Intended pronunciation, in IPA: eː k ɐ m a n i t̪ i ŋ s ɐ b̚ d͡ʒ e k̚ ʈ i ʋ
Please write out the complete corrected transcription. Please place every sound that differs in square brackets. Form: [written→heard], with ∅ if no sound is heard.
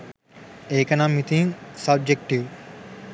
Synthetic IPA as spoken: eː k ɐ [m→n] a [n→m] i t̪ i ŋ s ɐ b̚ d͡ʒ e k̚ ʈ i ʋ